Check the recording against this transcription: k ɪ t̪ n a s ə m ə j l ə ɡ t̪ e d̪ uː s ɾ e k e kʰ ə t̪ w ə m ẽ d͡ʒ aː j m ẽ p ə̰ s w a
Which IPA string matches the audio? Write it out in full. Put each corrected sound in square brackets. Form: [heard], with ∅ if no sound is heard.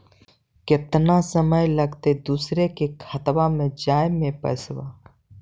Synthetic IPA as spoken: k ɪ t̪ n a s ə m ə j l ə ɡ t̪ e d̪ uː s ɾ e k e kʰ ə t̪ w [a] m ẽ d͡ʒ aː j m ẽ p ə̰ s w a